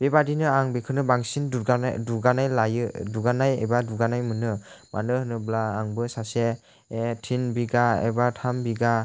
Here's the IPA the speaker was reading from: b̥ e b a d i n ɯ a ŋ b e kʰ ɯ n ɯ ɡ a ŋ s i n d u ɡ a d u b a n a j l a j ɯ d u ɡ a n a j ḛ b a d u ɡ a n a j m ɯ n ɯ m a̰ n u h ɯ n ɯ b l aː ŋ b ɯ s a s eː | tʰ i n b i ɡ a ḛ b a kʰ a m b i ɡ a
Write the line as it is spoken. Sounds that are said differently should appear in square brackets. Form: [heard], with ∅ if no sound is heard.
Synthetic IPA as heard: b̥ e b a d i n ɯ a ŋ b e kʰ ɯ n ɯ [b] a ŋ s i n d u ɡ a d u [ɡ] a n a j l a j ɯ d u ɡ a n a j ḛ b a d u ɡ a n a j m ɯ n ɯ m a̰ n [ɯ] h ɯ n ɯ b l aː ŋ b ɯ s a s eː | tʰ i n b i ɡ a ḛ b a [tʰ] a m b i ɡ a